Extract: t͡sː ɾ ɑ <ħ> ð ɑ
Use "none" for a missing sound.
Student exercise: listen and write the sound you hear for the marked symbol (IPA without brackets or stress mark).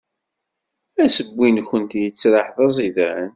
ħ